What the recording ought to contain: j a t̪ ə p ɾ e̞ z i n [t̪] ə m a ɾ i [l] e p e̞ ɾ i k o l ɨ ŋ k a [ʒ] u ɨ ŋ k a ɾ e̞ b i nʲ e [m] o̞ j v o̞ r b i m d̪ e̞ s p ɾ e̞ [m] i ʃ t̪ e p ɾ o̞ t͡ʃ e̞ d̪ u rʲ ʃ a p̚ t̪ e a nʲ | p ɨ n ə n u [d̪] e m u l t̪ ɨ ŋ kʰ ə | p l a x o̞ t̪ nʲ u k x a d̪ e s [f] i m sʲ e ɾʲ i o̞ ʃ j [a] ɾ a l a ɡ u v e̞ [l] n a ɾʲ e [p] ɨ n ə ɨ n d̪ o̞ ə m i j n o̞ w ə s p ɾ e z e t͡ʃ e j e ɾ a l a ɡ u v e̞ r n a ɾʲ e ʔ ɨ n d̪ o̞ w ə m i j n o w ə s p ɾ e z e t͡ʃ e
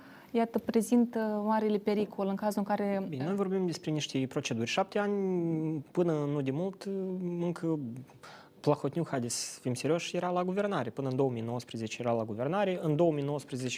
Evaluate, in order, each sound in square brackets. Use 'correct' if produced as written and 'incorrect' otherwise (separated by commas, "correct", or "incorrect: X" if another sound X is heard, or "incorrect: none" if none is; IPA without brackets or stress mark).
correct, correct, incorrect: z, incorrect: n, incorrect: n, correct, correct, incorrect: e, incorrect: r, correct